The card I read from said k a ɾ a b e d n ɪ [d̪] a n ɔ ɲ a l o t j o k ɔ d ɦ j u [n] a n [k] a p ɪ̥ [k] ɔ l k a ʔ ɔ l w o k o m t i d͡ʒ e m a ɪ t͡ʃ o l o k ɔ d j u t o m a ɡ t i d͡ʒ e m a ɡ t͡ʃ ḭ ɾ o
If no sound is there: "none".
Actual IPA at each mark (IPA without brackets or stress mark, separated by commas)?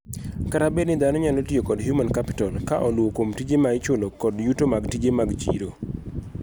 d̪, m, k, t